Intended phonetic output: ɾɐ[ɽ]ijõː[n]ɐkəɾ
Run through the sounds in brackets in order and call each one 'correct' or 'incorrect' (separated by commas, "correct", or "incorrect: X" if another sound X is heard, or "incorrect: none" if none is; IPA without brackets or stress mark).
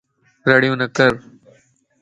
correct, correct